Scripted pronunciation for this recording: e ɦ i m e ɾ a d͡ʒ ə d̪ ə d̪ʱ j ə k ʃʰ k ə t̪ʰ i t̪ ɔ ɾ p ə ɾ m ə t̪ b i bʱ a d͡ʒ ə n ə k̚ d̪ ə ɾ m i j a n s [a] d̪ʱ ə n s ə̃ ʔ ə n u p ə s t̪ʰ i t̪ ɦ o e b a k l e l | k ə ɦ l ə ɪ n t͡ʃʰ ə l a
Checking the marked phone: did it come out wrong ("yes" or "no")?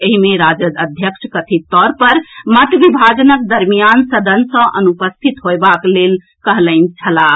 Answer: yes